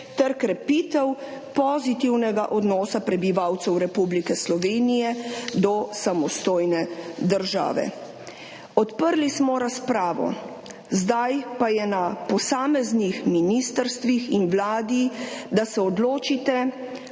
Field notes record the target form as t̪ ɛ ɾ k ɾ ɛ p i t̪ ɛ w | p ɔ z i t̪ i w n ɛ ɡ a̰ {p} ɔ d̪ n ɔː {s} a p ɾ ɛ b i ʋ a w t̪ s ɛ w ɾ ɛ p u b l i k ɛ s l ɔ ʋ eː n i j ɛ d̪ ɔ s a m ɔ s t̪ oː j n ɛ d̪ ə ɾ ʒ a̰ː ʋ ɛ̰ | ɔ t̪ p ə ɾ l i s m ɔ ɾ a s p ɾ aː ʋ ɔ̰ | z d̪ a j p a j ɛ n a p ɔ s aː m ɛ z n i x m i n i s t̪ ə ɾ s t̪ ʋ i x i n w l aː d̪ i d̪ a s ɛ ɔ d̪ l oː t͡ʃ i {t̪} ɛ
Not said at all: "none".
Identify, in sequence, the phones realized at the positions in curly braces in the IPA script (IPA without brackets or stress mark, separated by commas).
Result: ʔ, s, t̪